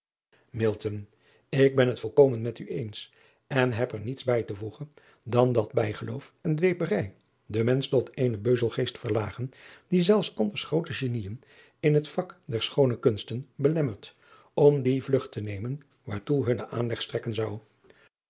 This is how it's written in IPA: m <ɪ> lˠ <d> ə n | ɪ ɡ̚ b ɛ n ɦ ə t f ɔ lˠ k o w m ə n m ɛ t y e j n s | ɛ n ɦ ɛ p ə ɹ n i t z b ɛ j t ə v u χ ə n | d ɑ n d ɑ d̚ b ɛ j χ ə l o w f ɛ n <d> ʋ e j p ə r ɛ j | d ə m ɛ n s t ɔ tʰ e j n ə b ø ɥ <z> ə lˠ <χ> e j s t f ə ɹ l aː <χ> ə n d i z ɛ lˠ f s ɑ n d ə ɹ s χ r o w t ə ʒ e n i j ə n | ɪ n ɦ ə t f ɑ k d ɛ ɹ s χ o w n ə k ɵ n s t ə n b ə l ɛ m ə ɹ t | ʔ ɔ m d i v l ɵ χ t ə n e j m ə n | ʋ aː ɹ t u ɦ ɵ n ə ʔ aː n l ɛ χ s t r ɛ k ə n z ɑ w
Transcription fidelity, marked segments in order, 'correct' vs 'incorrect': correct, incorrect, correct, correct, correct, correct

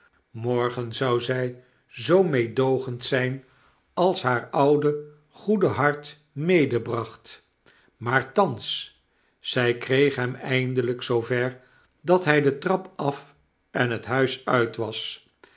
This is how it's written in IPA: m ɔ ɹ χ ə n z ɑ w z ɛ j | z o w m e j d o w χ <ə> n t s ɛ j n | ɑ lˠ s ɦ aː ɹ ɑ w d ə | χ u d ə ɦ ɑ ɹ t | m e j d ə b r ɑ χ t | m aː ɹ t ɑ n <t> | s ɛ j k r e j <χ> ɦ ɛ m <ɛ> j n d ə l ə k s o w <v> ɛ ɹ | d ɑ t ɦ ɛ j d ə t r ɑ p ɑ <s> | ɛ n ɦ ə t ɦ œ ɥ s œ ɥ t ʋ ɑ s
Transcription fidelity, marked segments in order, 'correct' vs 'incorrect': correct, incorrect, correct, correct, correct, incorrect

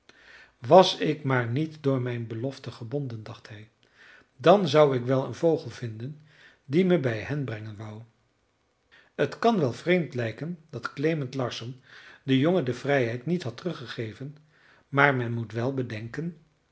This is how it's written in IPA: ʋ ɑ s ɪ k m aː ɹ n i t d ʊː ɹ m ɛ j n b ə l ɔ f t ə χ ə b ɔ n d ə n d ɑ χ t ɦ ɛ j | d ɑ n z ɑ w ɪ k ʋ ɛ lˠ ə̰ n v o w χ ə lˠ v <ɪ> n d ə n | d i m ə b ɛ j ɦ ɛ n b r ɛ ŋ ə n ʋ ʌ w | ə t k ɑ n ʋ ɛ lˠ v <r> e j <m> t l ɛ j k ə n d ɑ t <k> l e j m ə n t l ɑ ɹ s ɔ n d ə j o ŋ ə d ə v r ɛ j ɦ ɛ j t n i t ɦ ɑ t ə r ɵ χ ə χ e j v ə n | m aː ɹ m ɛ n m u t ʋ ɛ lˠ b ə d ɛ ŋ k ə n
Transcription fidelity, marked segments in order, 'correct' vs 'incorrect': correct, correct, correct, correct

